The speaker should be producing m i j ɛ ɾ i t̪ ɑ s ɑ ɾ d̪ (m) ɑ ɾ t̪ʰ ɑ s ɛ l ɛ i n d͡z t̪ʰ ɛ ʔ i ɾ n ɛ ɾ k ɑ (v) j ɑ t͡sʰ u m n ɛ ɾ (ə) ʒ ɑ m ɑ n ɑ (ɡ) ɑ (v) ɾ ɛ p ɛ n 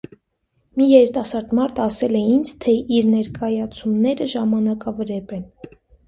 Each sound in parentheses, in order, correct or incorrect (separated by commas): correct, incorrect, correct, incorrect, correct